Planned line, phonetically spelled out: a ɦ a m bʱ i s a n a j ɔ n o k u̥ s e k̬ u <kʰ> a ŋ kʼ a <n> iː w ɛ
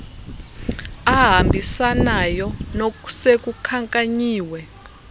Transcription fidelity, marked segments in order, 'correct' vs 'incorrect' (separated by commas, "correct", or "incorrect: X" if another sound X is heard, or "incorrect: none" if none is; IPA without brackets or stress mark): correct, incorrect: ɲ